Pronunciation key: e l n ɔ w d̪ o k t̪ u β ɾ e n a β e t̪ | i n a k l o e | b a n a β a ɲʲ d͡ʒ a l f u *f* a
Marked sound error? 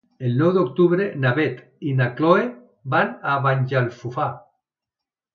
no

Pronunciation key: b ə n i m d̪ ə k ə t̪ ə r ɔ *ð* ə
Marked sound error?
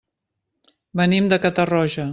yes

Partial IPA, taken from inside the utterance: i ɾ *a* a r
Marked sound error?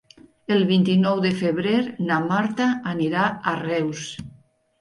no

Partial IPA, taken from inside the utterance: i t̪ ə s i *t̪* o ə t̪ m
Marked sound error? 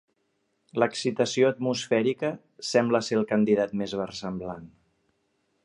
yes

